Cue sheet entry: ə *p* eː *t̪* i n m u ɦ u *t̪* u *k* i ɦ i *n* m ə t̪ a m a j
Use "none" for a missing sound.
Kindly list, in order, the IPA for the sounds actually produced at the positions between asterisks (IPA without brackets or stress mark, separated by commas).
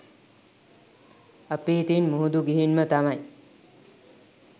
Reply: p, t̪, d̪, ɡ, n